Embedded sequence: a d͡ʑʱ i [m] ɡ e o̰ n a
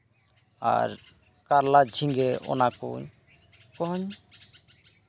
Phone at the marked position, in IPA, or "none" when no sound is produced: ŋ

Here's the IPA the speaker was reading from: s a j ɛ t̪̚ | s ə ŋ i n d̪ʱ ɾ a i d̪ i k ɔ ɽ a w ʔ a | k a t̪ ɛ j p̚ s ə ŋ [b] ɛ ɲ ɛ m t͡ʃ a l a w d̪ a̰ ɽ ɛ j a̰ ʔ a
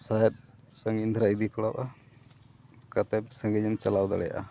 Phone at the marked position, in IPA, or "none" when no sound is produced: ɡ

